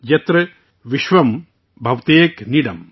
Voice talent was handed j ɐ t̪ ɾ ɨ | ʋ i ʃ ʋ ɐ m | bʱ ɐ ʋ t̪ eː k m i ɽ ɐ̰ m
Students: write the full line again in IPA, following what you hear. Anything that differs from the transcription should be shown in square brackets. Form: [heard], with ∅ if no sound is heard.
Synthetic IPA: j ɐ t̪ ɾ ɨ | ʋ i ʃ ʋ ɐ m | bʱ ɐ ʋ t̪ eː k [n] i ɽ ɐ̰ m